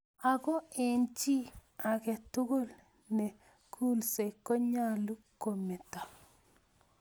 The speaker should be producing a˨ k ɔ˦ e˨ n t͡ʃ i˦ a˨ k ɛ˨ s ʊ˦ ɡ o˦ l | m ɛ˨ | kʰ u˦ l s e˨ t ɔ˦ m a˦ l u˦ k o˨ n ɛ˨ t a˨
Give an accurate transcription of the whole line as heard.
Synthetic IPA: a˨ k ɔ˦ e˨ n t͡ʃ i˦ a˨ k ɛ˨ t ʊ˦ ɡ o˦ l | n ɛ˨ | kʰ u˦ l s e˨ k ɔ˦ ɲ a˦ l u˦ k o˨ m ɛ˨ t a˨